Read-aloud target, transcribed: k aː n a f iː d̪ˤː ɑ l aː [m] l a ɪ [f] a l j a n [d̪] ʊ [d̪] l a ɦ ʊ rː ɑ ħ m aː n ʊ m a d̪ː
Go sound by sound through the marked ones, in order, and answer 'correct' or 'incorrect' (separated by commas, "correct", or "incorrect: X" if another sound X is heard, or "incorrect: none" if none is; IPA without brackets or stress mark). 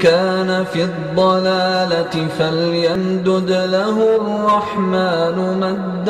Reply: incorrect: none, correct, correct, correct